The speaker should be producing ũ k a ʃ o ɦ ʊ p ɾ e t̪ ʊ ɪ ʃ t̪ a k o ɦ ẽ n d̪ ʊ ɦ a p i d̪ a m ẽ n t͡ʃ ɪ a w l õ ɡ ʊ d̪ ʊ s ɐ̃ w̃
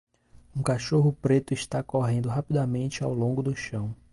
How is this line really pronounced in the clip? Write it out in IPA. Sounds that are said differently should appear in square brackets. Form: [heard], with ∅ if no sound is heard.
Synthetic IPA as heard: ũ k a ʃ o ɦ ʊ p ɾ e t̪ ʊ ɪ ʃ t̪ a k o ɦ ẽ n d̪ ʊ ɦ a p i d̪ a m ẽ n t͡ʃ ɪ a w l õ ɡ ʊ d̪ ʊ [ʃ] ɐ̃ w̃